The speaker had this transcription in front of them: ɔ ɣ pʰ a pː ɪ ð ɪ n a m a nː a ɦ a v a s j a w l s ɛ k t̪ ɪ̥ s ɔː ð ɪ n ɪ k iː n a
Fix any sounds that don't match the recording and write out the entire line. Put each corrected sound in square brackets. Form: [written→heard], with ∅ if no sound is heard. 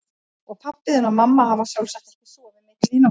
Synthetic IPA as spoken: ɔ ɣ pʰ a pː ɪ ð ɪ n a m a [nː→mː] a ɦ a v a s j a w l s ɛ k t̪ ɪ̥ s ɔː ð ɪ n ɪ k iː n a